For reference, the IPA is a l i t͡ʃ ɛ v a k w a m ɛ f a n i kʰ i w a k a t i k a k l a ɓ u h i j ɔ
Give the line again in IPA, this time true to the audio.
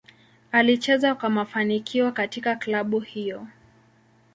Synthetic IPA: a l i t͡ʃ ɛ z a k w a m a f a n i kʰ i w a k a t i k a k l a ɓ u h i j ɔ